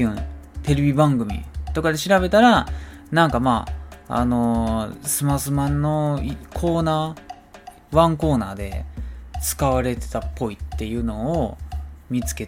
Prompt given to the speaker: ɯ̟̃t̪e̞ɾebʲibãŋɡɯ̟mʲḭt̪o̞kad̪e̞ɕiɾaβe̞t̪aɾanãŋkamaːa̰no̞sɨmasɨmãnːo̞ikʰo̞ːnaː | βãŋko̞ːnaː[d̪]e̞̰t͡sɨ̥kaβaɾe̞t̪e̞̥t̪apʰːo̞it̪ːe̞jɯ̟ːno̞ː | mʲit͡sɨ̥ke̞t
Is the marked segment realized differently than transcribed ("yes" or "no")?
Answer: no